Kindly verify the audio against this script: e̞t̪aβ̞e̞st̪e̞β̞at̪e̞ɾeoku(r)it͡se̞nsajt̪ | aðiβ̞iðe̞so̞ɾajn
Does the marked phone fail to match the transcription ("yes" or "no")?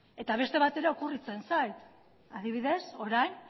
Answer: no